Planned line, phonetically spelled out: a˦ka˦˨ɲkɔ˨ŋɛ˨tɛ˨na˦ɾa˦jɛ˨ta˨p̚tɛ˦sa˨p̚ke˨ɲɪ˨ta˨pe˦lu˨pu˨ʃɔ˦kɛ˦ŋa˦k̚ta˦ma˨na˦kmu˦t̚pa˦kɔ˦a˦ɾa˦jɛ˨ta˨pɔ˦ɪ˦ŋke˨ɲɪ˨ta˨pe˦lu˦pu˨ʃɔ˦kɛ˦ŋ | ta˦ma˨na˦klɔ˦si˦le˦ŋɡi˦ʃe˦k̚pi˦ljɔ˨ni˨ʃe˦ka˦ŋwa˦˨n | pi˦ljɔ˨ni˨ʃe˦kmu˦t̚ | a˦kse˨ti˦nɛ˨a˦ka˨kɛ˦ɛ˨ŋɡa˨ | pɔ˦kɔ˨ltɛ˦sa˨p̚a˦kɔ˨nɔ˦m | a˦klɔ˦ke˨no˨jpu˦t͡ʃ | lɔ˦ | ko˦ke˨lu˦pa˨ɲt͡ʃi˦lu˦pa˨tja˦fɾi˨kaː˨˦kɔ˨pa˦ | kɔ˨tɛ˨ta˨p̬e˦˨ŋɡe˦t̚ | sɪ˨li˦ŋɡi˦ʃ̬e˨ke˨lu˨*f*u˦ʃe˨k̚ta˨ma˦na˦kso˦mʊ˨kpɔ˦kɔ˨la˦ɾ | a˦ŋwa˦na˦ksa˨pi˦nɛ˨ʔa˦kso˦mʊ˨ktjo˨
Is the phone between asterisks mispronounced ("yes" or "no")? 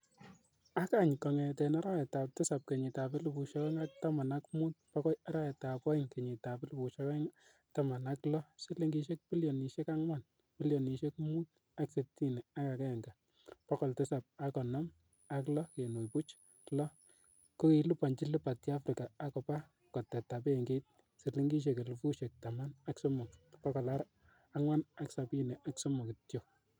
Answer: no